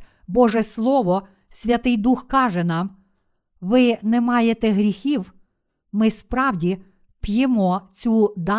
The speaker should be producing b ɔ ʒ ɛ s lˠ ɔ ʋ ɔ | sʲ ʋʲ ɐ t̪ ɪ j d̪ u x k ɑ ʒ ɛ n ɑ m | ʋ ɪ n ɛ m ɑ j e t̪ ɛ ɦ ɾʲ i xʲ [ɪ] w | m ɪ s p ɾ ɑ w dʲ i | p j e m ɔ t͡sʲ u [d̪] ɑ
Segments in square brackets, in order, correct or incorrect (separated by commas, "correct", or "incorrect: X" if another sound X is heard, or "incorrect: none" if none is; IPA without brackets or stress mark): incorrect: i, correct